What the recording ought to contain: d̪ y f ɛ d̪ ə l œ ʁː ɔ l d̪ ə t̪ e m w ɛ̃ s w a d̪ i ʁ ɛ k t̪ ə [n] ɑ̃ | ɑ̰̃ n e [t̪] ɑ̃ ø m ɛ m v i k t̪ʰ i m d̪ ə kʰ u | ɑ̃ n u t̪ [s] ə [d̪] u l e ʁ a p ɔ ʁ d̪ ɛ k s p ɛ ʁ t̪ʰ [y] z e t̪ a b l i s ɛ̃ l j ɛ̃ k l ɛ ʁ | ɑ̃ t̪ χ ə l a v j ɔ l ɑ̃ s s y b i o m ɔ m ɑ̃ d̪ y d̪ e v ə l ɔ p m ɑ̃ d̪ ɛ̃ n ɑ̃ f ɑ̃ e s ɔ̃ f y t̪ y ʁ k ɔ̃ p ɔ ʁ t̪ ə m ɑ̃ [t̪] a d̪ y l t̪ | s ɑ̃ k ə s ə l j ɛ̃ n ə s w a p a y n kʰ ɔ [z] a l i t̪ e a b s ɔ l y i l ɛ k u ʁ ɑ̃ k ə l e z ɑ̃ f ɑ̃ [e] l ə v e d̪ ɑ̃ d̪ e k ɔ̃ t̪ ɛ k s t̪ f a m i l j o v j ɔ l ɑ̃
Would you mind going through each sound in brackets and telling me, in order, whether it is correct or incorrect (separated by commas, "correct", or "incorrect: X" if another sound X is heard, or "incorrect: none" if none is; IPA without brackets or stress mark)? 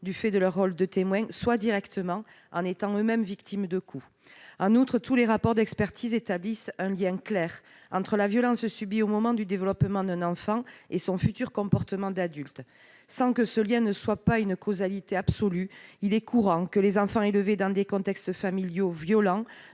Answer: incorrect: m, correct, incorrect: χ, incorrect: t̪, incorrect: i, incorrect: d̪, correct, correct